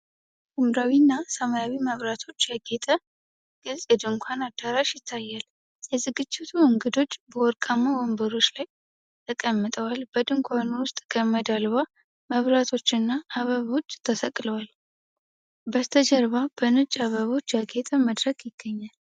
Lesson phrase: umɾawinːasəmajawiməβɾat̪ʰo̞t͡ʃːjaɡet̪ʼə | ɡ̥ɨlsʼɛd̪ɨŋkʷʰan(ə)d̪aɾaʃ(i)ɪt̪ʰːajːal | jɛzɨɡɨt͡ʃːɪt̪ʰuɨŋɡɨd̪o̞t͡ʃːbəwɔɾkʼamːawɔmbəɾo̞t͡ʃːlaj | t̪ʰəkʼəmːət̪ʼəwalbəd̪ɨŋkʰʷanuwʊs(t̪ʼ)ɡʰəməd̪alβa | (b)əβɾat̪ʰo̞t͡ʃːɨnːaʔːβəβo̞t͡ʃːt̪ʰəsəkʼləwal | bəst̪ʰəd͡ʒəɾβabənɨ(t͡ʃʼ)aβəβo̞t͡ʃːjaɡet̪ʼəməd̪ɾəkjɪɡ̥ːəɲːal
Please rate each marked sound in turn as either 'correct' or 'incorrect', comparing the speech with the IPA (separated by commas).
incorrect, incorrect, correct, incorrect, correct